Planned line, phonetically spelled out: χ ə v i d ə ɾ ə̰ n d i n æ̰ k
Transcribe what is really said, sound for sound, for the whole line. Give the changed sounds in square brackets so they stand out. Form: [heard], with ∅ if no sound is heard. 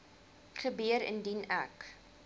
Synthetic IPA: χ ə [b] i [∅] ə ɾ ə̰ n d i n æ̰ k